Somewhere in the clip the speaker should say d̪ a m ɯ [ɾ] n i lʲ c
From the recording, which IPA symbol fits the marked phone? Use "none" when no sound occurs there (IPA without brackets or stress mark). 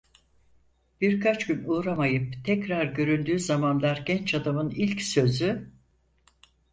none